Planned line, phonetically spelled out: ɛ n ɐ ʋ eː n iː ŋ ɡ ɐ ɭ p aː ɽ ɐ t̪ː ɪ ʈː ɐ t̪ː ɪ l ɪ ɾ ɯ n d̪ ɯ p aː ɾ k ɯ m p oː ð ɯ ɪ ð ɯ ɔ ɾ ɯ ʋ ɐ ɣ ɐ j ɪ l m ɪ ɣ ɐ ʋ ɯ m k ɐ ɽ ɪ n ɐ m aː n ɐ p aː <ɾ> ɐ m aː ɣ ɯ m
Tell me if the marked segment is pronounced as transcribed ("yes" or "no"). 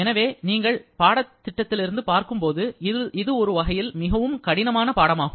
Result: no